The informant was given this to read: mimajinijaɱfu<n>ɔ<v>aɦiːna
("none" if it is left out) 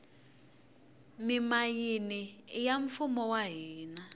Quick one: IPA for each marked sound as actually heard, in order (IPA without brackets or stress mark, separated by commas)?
m, w